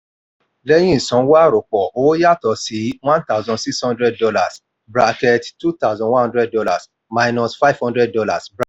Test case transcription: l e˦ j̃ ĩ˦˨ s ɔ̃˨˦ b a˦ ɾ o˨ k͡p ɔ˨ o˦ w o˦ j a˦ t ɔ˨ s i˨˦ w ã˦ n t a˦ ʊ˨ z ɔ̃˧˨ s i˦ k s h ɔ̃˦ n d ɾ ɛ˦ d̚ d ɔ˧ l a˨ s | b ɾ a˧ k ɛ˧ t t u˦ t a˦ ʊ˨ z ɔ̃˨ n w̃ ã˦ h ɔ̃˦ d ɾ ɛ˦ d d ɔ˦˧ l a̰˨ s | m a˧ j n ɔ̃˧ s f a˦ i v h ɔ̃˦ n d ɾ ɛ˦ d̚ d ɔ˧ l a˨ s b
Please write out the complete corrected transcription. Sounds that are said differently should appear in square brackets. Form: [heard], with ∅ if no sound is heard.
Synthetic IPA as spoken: l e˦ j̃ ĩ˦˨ s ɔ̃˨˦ [w] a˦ ɾ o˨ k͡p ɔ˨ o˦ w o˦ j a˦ t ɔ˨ s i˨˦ w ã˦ n t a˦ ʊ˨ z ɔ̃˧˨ s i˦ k s h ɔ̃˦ n d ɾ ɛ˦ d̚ d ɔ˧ l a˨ s | b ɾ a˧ k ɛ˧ t t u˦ t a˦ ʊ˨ z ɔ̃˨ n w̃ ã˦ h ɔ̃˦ d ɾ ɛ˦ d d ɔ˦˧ l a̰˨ s | m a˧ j n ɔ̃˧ s f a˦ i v h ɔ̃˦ n d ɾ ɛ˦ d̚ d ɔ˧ l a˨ s b